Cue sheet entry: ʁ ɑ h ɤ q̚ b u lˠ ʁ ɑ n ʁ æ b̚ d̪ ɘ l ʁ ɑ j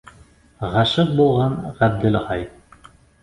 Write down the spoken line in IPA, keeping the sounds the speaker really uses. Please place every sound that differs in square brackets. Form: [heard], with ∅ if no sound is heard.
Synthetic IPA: ʁ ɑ [ʃ] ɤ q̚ b u lˠ ʁ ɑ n ʁ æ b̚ d̪ ɘ l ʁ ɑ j